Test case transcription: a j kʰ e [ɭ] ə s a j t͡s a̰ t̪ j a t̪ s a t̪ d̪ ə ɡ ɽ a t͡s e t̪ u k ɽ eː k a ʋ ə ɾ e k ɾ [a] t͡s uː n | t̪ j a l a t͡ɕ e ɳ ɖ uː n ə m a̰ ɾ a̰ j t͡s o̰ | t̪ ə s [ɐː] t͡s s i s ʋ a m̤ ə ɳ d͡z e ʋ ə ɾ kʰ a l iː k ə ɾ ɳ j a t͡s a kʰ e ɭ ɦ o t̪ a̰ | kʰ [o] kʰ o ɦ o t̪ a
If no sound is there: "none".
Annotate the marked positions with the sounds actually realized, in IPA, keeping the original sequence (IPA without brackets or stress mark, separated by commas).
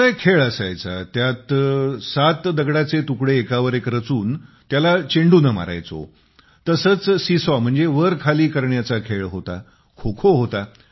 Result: ɭ, ə, əː, o